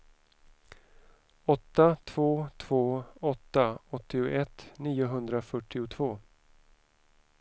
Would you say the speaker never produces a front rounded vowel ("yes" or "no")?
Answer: no